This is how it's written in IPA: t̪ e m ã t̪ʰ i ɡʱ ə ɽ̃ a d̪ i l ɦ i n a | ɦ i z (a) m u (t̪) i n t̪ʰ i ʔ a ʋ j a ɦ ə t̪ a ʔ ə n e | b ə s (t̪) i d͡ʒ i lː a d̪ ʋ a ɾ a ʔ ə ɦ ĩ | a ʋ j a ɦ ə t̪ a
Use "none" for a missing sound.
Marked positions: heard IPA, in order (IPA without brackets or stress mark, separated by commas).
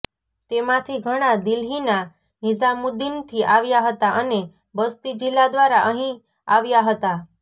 a, d̪, t̪